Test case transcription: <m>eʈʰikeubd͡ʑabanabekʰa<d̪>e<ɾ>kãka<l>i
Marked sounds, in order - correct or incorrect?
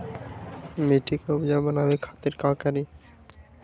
correct, incorrect: t̪, correct, incorrect: ɾ

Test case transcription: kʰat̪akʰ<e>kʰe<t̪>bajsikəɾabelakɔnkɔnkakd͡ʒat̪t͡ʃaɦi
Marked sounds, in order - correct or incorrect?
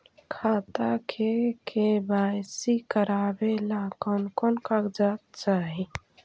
correct, incorrect: none

